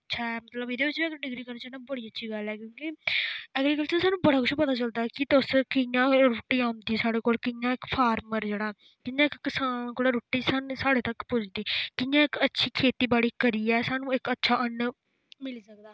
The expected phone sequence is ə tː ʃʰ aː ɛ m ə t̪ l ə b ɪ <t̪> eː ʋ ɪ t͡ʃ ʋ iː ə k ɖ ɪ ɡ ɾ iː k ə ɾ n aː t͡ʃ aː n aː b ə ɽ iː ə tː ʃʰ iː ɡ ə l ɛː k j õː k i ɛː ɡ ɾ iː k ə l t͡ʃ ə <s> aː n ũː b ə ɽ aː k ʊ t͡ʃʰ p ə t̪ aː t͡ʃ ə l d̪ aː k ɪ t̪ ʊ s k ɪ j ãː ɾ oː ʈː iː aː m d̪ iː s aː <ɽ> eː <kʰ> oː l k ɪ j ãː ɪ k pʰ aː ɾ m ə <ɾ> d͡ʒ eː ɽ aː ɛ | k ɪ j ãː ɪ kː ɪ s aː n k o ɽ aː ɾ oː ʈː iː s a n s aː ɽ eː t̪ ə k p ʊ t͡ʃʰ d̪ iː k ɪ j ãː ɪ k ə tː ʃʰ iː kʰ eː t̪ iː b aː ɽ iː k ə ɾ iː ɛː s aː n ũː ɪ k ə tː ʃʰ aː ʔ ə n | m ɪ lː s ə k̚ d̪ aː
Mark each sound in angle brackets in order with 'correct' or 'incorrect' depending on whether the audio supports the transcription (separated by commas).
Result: incorrect, correct, correct, incorrect, correct